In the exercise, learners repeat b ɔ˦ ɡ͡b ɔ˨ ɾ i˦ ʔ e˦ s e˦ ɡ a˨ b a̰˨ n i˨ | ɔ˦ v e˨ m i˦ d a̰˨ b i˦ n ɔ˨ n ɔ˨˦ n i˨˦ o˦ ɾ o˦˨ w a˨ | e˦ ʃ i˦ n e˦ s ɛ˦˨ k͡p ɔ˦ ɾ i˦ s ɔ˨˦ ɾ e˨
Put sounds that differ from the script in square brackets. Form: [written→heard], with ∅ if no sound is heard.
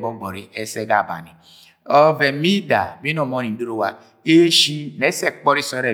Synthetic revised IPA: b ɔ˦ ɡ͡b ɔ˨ ɾ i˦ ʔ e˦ s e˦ ɡ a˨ b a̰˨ n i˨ | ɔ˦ v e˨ m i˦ d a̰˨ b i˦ n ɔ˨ [n→m] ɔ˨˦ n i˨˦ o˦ ɾ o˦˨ w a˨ | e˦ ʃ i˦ n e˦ s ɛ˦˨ k͡p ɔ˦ ɾ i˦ s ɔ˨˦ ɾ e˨